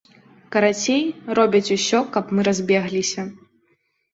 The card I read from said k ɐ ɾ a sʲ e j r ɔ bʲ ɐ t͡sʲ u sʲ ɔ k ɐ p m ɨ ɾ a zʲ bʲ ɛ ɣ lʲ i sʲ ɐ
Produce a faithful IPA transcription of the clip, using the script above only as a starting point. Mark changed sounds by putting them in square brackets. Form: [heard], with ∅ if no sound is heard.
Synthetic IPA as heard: k ɐ ɾ a [t͡sʲ] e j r ɔ bʲ ɐ t͡sʲ u sʲ ɔ k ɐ p m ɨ ɾ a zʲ bʲ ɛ ɣ lʲ i sʲ ɐ